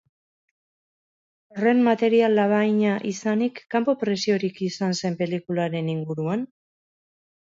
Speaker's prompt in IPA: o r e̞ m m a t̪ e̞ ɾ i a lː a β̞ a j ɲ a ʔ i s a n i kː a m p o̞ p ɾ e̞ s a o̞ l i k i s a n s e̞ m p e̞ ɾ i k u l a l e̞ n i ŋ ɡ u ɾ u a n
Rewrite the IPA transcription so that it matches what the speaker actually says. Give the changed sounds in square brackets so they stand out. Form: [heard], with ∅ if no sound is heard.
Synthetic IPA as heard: o r e̞ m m a t̪ e̞ ɾ i a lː a β̞ a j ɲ a ʔ i s a n i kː a m p o̞ p ɾ e̞ s [i] o̞ [ɾ] i k i s a n s e̞ m p e̞ [l] i k u l a [ɾ] e̞ n i ŋ ɡ u ɾ u a n